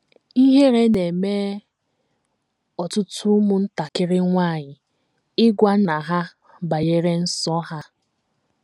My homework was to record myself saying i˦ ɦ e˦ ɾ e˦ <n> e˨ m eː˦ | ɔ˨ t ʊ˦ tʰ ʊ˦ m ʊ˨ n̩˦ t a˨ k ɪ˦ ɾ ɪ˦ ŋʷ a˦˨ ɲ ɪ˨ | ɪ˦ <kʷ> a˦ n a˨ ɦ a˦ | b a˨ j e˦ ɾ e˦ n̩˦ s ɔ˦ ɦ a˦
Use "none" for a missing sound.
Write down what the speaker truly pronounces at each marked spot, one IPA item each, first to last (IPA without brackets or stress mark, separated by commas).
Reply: n, ɡʷ